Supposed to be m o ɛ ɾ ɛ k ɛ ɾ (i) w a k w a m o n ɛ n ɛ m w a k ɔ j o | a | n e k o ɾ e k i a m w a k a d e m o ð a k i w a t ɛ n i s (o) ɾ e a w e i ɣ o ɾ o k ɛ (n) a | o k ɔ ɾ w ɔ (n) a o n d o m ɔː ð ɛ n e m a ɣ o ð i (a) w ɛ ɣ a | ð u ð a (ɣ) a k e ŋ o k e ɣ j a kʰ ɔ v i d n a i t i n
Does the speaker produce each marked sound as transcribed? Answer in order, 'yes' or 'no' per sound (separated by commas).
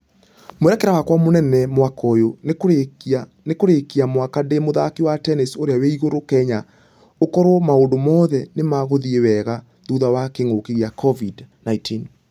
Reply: no, yes, no, no, no, no